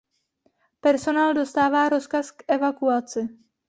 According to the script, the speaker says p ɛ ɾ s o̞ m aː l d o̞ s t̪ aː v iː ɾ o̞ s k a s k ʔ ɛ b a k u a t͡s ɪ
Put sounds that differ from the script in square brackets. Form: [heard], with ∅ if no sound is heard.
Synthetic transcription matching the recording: p ɛ ɾ s o̞ [n] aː l d o̞ s t̪ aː v [aː] ɾ o̞ s k a s k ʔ ɛ [v] a k u a t͡s ɪ